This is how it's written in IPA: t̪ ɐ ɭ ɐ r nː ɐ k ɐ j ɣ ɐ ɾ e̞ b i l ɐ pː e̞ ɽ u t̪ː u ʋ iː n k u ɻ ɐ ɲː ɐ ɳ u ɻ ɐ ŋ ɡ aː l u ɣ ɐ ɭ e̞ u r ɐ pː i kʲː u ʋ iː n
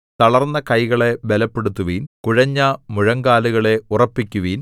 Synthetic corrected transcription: t̪ ɐ ɭ ɐ r nː ɐ k ɐ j ɣ ɐ ɭ e̞ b e l ɐ pː e̞ ɽ u t̪ː u ʋ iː n k u ɻ ɐ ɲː ɐ m u ɻ ɐ ŋ ɡ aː l u ɣ ɐ ɭ e̞ u r ɐ pː i kʲː u ʋ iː n